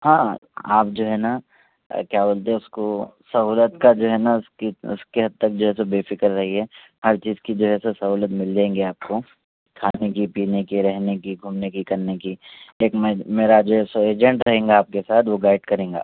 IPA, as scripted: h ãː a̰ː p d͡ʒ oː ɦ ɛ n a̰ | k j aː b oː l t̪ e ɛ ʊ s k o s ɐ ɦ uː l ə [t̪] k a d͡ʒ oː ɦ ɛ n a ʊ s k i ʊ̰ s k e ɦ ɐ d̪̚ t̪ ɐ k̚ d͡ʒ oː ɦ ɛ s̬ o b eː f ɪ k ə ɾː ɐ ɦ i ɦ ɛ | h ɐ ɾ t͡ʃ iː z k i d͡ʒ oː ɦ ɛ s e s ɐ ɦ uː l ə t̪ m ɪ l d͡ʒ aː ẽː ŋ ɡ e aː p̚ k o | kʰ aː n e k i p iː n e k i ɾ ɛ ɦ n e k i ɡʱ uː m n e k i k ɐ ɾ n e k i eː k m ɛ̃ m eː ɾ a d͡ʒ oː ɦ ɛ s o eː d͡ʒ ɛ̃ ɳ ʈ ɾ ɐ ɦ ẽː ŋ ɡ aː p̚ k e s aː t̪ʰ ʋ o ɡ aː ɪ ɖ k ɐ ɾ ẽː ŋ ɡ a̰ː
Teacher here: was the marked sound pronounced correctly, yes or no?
yes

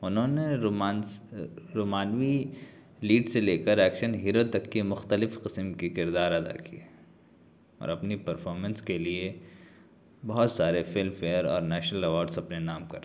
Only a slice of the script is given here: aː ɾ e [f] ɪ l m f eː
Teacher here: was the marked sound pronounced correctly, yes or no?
yes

